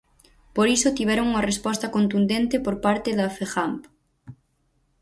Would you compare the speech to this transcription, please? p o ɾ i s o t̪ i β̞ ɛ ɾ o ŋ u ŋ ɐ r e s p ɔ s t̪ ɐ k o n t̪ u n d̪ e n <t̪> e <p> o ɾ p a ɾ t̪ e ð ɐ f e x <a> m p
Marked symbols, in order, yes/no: yes, yes, yes

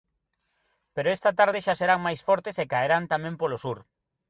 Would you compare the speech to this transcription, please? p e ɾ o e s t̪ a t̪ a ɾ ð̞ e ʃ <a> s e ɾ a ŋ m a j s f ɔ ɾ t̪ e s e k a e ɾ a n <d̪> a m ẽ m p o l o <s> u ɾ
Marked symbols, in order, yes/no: yes, no, yes

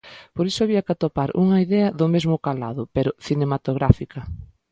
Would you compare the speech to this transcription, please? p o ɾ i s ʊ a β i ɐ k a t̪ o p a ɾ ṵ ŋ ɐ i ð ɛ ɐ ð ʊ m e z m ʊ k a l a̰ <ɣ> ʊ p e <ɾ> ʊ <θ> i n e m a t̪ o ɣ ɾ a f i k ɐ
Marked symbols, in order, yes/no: no, yes, yes

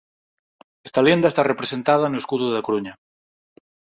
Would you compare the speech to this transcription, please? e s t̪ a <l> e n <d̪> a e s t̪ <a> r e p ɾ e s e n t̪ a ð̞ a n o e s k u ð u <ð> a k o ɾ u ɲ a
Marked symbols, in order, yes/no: yes, yes, yes, yes

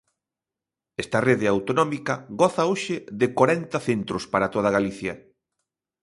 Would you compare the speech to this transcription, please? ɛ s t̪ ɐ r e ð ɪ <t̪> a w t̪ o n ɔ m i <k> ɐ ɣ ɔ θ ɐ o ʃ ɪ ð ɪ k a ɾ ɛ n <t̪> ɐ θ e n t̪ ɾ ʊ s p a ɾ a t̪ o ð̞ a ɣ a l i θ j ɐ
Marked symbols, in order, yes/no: no, yes, yes

